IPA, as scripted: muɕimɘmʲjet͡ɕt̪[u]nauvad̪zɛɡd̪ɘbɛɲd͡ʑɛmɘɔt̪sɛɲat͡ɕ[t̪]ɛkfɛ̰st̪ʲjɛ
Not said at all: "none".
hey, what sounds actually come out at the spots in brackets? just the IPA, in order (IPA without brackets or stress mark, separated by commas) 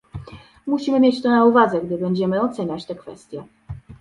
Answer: ɔ, t̪